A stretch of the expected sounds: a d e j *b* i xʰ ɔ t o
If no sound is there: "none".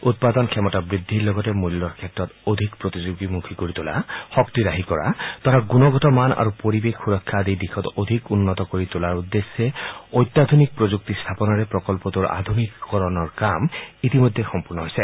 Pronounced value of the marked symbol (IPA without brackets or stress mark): d